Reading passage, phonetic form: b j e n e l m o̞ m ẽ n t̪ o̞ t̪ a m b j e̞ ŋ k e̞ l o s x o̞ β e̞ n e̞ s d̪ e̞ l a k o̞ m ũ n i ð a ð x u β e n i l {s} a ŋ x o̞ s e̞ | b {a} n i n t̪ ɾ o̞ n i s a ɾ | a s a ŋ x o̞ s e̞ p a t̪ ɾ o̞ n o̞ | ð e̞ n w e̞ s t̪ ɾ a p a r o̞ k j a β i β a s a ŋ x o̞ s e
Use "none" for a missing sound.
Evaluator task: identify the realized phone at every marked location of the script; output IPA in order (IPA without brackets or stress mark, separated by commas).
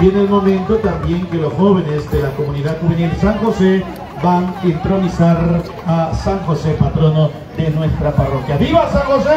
s, a